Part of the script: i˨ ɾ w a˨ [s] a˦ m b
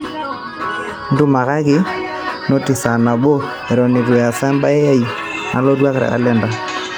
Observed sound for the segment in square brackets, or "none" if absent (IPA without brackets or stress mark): s